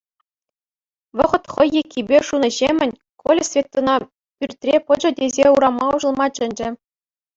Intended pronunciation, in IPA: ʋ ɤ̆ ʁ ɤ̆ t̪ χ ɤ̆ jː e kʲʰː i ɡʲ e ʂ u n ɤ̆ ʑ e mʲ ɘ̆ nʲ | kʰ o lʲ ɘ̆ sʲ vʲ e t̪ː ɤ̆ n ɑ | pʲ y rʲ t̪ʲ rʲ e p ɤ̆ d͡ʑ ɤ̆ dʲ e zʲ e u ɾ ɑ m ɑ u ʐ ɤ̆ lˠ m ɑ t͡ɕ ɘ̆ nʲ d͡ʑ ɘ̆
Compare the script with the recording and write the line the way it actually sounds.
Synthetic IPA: ʋ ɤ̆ ʁ ɤ̆ t̪ χ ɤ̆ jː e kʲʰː i bʲ e ʂ u n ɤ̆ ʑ e mʲ ɘ̆ nʲ | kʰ o lʲ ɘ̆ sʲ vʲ e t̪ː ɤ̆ n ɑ | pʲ y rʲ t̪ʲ rʲ e p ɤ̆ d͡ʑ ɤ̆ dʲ e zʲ e u ɾ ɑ m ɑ u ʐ ɤ̆ lˠ m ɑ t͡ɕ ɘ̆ nʲ d͡ʑ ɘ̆